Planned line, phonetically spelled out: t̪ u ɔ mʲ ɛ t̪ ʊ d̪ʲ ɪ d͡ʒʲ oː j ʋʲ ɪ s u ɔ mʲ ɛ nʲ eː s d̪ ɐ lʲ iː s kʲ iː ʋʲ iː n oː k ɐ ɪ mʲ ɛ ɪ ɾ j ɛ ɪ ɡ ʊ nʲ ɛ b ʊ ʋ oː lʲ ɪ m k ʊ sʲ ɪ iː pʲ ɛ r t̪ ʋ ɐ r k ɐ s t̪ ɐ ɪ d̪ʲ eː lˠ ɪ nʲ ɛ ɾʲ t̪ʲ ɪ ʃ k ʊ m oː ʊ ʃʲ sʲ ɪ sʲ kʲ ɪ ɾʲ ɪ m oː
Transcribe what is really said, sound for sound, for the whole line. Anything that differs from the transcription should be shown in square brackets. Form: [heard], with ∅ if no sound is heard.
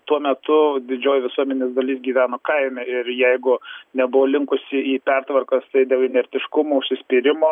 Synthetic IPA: t̪ u ɔ mʲ ɛ t̪ ʊ d̪ʲ ɪ d͡ʒʲ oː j ʋʲ ɪ s u ɔ mʲ ɛ nʲ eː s d̪ ɐ lʲ iː s [ɡʲ] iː ʋʲ [æː] n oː k ɐ ɪ mʲ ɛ ɪ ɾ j ɛ ɪ ɡ ʊ nʲ ɛ b ʊ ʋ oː lʲ ɪ [ŋ] k ʊ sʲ ɪ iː pʲ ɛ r t̪ ʋ ɐ r k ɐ s t̪ ɐ ɪ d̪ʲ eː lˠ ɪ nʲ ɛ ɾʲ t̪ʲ ɪ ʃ k ʊ m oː ʊ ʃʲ sʲ ɪ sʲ [pʲ] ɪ ɾʲ ɪ m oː